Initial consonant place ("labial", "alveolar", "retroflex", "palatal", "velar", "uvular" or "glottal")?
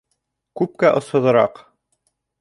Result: velar